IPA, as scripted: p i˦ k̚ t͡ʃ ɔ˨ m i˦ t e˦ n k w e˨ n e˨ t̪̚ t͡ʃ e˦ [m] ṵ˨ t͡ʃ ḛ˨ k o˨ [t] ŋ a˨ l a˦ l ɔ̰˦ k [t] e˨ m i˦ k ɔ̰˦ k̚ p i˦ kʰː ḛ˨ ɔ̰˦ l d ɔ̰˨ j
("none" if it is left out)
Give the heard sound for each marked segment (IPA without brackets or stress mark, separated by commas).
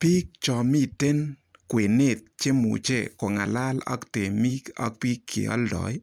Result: m, none, t